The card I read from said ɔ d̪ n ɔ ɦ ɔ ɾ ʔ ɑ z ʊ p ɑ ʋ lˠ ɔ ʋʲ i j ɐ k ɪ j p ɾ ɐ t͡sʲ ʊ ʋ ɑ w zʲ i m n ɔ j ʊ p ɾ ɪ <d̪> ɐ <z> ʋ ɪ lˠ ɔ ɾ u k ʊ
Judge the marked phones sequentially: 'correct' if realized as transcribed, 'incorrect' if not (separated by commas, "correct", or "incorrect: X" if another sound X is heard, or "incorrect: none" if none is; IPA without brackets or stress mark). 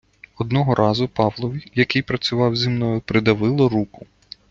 correct, incorrect: none